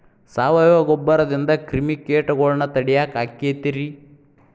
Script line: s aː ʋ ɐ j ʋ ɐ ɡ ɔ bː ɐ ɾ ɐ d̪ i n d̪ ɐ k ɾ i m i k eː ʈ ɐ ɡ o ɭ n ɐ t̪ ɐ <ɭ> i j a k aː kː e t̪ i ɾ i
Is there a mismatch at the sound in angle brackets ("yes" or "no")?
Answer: yes